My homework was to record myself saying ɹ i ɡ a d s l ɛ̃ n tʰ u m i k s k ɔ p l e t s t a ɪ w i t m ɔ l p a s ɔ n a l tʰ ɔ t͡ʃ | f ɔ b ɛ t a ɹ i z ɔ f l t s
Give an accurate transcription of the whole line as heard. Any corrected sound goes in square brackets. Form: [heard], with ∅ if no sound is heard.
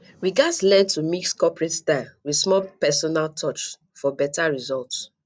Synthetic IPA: ɹ i ɡ a d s l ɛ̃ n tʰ u m i k s k ɔ p [ɹ] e t s t a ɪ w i [s] m ɔ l p [ɛ] s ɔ n a l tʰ ɔ t͡ʃ | f ɔ b ɛ t a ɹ i z ɔ [∅] l t s